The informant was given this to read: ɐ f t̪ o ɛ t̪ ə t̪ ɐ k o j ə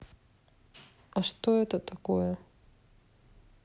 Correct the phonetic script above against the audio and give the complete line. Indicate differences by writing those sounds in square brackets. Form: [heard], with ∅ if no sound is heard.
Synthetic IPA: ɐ [ʂ] t̪ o ɛ t̪ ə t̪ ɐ k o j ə